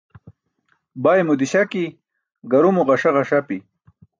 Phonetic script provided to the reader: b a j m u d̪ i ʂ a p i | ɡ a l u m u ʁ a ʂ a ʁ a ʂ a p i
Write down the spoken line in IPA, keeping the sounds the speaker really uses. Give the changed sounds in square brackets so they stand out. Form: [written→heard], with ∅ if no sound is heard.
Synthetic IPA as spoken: b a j m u d̪ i [ʂ→ɕ] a [p→k] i | ɡ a [l→ɾ] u m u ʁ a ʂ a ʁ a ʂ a p i